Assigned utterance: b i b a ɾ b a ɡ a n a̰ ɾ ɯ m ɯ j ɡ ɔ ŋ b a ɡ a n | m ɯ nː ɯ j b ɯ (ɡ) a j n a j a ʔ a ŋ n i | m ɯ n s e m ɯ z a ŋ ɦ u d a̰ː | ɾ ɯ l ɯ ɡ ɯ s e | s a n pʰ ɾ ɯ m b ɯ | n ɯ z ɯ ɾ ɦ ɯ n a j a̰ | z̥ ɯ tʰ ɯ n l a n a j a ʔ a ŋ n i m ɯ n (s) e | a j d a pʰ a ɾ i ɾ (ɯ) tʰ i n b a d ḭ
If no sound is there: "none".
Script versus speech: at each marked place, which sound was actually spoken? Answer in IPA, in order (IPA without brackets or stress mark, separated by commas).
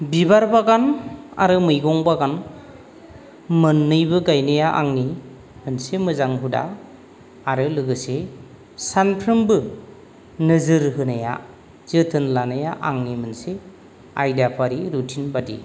ɡ, s, u